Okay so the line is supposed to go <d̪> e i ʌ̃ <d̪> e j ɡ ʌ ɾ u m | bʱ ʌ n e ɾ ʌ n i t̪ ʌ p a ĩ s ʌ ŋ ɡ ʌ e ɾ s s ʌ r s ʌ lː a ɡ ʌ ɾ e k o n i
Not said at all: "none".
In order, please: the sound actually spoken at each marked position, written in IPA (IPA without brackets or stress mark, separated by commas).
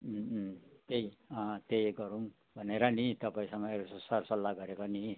t̪, t̪